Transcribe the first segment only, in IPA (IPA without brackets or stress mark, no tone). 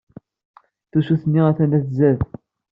θ